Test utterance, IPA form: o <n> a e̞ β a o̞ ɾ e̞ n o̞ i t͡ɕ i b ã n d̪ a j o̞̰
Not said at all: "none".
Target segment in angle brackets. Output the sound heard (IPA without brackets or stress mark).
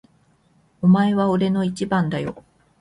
m